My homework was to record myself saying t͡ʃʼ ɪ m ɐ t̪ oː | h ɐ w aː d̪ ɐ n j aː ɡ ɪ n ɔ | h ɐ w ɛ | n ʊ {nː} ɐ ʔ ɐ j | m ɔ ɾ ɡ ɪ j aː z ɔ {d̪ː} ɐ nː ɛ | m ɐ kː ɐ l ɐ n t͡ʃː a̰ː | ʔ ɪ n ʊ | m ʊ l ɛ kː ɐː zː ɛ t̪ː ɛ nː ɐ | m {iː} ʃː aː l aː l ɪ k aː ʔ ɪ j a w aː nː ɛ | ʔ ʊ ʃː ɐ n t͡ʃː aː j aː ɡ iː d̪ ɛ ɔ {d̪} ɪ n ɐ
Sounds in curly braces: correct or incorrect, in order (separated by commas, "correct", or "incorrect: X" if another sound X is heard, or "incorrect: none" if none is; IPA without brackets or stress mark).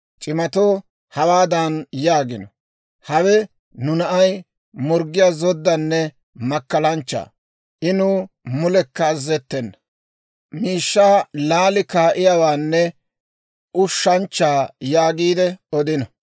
incorrect: n, correct, correct, correct